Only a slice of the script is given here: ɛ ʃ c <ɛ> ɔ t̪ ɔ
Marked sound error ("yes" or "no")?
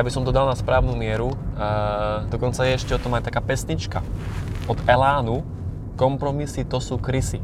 no